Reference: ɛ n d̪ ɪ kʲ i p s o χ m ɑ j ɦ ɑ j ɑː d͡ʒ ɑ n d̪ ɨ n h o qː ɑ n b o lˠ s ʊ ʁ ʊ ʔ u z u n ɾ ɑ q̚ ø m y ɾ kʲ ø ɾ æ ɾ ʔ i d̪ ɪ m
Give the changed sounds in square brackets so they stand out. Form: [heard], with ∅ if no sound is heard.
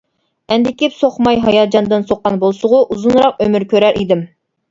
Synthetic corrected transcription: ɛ n d̪ ɪ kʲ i p s o χ m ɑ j ɦ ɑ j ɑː d͡ʒ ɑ n d̪ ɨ n [s] o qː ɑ n b o lˠ s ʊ ʁ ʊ ʔ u z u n ɾ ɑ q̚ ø m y ɾ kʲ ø ɾ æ ɾ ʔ i d̪ ɪ m